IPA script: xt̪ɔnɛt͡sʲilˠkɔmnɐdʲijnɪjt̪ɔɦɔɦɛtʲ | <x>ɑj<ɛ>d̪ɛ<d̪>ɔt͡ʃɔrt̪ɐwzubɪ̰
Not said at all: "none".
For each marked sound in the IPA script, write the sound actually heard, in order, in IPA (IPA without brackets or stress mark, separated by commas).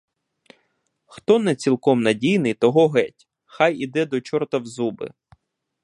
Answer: x, i, d̪